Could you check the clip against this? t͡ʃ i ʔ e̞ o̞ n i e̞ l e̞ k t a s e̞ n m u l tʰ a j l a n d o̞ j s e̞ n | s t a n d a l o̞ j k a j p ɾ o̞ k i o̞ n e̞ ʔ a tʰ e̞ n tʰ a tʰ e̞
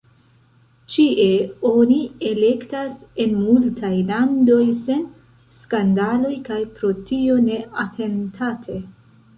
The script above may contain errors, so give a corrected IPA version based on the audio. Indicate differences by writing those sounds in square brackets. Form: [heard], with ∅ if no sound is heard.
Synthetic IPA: t͡ʃ i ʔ e̞ o̞ n i e̞ l e̞ k t a s e̞ n m u l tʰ a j l a n d o̞ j s e̞ n | s [k] a n d a l o̞ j k a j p ɾ o̞ [t] i o̞ n e̞ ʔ a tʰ e̞ n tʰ a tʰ e̞